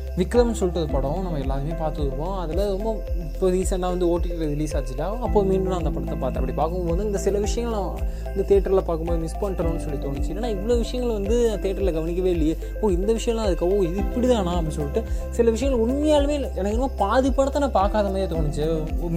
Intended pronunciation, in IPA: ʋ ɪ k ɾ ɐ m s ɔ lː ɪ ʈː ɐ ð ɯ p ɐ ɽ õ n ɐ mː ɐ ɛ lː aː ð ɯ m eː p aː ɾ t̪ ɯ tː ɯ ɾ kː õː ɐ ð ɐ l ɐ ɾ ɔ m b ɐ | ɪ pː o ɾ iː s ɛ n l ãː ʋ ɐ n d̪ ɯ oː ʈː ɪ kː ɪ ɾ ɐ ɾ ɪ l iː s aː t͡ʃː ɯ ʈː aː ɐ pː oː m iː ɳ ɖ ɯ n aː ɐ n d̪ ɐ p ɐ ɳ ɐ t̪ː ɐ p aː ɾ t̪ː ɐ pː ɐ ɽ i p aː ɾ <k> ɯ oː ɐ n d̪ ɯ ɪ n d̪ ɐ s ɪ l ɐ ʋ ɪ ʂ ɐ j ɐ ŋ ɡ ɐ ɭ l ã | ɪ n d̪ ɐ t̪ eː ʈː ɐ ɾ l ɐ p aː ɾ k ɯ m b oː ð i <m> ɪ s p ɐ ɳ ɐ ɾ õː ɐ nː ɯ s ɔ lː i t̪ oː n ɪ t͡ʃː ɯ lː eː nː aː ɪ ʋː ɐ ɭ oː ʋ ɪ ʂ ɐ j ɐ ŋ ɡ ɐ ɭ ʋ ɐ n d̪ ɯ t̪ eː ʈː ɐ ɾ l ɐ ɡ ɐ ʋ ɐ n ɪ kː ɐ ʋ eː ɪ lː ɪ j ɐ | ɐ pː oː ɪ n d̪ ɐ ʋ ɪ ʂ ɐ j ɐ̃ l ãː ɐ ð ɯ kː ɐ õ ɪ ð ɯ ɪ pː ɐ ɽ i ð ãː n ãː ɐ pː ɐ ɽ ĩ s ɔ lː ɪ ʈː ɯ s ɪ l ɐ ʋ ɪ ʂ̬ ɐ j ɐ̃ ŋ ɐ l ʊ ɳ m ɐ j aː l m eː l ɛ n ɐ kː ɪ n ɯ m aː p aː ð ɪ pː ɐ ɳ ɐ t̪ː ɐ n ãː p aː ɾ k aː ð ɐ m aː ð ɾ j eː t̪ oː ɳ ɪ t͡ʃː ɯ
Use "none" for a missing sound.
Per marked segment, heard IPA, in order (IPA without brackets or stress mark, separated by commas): k, m